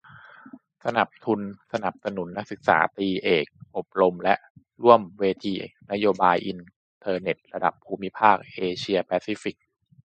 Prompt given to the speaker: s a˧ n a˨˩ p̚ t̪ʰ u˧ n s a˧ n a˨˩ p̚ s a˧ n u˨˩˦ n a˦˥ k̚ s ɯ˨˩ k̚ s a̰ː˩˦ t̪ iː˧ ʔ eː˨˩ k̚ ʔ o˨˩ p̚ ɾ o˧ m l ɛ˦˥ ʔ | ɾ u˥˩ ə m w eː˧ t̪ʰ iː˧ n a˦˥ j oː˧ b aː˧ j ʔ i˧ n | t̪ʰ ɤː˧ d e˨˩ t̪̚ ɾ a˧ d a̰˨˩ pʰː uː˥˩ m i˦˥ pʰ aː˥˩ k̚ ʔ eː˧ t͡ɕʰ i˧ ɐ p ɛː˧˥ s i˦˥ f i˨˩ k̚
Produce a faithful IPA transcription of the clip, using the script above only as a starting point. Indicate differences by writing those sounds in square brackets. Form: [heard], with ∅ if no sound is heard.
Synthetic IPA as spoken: s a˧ n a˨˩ p̚ t̪ʰ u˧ n s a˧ n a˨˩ p̚ s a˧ n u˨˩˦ [nː] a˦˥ k̚ s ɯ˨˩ k̚ s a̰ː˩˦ t̪ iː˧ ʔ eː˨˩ k̚ ʔ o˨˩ p̚ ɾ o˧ m l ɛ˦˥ ʔ | ɾ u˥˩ ə m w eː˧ t̪ʰ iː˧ n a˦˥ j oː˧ b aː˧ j ʔ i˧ n | t̪ʰ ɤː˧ [n] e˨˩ t̪̚ ɾ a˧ d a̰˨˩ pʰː [uː˧] m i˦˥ pʰ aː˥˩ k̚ ʔ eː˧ t͡ɕʰ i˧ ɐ p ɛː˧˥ s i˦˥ f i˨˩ k̚

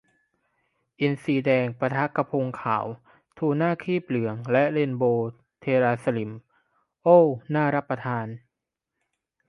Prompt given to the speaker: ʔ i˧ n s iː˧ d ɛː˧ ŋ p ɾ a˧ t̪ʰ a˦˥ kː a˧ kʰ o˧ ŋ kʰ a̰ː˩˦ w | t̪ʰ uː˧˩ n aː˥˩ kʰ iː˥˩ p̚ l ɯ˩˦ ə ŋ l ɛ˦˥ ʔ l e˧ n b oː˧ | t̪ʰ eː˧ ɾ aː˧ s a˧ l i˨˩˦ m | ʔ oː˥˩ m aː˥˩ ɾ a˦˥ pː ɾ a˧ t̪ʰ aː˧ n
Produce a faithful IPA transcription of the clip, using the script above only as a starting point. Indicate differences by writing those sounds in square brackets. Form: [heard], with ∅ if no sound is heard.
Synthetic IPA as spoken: ʔ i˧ n s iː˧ d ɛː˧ ŋ p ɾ a˧ t̪ʰ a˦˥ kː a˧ [pʰ] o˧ ŋ kʰ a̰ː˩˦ w | t̪ʰ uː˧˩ n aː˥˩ kʰ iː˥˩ p̚ l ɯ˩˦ ə ŋ l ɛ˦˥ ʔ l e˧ n b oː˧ | t̪ʰ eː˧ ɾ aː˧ s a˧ l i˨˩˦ m | ʔ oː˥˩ [n] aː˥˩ ɾ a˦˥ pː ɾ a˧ t̪ʰ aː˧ n

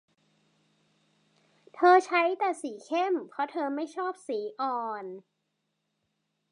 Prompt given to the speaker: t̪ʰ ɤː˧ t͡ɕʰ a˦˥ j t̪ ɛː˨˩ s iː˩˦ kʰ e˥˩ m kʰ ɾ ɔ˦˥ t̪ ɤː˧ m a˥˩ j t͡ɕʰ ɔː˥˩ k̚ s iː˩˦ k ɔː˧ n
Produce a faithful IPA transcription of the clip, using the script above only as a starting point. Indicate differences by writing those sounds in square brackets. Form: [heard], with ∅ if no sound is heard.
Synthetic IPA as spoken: t̪ʰ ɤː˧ t͡ɕʰ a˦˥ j t̪ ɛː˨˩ s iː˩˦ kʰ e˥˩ m [pʰ] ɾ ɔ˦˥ [t̪ʰ] ɤː˧ m a˥˩ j t͡ɕʰ ɔː˥˩ [p̚] s iː˩˦ [ʔ] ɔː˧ n

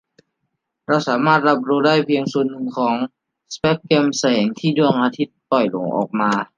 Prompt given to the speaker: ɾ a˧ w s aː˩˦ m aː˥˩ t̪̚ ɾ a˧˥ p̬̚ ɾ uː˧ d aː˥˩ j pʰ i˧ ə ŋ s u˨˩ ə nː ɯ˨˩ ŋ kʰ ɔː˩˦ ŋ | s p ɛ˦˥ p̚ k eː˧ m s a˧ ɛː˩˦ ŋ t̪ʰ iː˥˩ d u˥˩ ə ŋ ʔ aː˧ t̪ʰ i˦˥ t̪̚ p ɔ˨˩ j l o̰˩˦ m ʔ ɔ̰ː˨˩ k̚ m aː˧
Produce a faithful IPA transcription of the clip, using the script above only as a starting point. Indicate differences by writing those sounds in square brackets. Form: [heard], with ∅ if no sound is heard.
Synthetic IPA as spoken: ɾ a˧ w s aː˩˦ m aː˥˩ t̪̚ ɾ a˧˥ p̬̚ ɾ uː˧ d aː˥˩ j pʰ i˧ ə ŋ s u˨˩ ə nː ɯ˨˩ ŋ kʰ ɔː˩˦ ŋ | s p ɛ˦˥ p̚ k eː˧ m s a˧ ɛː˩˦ ŋ t̪ʰ iː˥˩ d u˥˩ ə ŋ ʔ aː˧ t̪ʰ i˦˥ t̪̚ p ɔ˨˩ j l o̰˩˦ [ŋ] ʔ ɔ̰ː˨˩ k̚ m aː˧

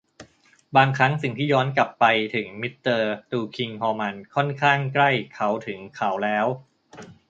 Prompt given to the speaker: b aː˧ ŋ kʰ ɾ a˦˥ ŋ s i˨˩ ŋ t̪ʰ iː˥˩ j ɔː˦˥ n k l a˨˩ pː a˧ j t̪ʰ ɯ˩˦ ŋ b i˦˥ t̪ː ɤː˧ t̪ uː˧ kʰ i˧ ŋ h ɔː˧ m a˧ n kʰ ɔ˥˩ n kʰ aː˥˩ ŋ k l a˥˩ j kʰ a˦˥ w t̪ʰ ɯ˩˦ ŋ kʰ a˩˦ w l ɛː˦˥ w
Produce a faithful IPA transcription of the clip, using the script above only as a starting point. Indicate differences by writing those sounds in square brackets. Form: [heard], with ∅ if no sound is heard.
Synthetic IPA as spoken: b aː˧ ŋ kʰ ɾ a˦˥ ŋ s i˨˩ ŋ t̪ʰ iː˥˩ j ɔː˦˥ n k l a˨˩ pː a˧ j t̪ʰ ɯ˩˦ ŋ [m] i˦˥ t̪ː ɤː˧ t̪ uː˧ kʰ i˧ ŋ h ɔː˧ m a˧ n kʰ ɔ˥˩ n kʰ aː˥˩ ŋ k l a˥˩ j kʰ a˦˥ w t̪ʰ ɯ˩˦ ŋ kʰ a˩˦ w l ɛː˦˥ w

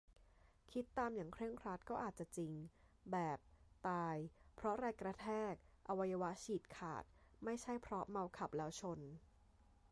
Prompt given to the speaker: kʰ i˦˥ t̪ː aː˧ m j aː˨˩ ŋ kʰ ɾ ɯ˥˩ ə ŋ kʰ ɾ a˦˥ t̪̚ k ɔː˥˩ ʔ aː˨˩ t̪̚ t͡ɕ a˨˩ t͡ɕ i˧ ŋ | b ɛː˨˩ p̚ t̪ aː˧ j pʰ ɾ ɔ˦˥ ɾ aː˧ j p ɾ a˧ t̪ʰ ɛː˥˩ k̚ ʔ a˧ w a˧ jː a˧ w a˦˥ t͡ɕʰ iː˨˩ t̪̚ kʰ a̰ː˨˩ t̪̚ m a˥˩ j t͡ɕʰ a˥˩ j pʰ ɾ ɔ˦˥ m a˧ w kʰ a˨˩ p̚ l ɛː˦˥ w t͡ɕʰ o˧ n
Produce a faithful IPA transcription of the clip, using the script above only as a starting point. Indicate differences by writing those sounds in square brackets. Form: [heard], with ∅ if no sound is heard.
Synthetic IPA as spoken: kʰ i˦˥ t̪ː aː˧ m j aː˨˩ ŋ kʰ ɾ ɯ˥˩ ə ŋ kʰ ɾ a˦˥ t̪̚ k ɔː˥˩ ʔ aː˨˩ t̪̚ t͡ɕ a˨˩ t͡ɕ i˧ ŋ | b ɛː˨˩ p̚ t̪ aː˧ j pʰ ɾ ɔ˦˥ ɾ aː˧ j [k] ɾ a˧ t̪ʰ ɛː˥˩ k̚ ʔ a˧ w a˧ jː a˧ w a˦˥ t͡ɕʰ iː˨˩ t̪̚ kʰ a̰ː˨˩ t̪̚ m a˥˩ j t͡ɕʰ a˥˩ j pʰ ɾ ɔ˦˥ m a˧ w kʰ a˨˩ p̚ l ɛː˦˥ w t͡ɕʰ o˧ n

